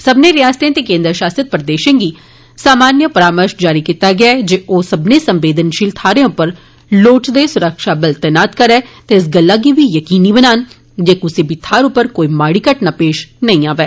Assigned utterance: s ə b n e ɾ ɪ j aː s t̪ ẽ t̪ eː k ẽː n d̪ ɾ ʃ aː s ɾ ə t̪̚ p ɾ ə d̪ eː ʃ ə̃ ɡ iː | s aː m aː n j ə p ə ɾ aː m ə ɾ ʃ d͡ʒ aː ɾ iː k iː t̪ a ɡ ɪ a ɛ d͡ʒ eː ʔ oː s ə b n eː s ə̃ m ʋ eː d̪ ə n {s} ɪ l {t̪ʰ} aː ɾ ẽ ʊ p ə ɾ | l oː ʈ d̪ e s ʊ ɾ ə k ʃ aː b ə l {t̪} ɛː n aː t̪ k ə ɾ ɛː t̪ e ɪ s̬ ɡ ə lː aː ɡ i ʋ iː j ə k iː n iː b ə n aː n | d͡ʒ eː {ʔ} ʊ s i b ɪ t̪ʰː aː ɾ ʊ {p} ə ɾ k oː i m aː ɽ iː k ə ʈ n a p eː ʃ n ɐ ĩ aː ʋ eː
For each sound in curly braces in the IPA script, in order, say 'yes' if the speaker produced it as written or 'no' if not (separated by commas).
no, yes, yes, no, yes